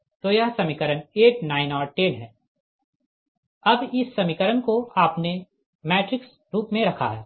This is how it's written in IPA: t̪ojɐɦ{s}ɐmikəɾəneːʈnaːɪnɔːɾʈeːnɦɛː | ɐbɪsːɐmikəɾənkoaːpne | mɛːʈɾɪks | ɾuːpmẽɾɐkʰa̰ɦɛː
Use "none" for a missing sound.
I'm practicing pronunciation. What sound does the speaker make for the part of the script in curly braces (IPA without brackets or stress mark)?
s